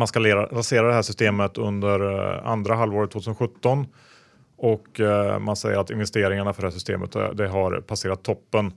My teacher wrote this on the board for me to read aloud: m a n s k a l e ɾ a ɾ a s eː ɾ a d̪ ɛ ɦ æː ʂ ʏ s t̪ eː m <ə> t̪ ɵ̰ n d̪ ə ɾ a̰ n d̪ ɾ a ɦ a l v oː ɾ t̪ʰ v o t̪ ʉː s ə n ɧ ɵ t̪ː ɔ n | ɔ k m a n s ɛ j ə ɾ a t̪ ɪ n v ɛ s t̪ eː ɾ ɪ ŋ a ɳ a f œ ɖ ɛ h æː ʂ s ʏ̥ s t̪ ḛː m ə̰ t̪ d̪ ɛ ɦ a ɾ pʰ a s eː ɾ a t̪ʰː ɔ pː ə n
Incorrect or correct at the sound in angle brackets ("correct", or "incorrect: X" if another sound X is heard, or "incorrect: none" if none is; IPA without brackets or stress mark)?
correct